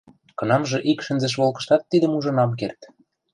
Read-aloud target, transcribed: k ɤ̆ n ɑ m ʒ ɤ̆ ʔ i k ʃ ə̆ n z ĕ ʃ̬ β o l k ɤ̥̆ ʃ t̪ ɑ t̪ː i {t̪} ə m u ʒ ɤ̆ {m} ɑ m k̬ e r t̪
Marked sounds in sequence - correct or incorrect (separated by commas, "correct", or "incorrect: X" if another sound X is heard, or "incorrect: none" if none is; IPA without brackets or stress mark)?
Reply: incorrect: d̪, incorrect: n